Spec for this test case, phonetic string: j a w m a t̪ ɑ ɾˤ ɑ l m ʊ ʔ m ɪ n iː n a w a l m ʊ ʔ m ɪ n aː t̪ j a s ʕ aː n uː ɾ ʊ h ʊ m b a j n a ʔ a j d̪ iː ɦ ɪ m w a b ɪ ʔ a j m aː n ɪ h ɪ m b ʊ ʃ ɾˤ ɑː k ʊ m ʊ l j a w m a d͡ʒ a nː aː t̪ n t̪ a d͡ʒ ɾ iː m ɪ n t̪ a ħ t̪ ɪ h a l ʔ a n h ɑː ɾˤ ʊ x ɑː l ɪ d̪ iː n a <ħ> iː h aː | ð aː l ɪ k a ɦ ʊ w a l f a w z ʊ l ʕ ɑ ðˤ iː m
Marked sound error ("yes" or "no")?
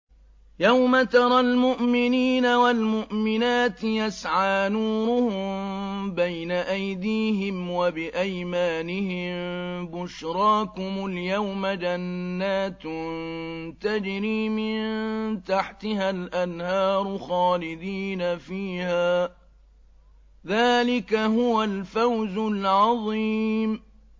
yes